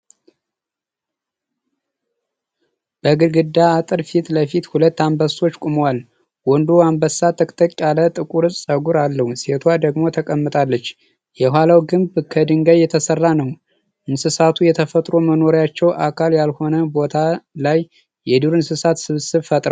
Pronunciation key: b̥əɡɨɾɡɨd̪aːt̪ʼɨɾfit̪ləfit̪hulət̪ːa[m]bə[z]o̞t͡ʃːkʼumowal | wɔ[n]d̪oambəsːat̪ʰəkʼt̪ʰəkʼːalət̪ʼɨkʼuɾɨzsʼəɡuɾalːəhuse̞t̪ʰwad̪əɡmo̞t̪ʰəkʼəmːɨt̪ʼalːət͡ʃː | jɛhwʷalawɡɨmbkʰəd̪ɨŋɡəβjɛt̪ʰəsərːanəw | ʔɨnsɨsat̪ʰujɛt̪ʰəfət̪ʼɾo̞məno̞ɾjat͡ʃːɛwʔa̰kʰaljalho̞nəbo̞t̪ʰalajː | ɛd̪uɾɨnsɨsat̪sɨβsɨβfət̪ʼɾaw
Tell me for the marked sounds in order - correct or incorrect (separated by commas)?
correct, incorrect, correct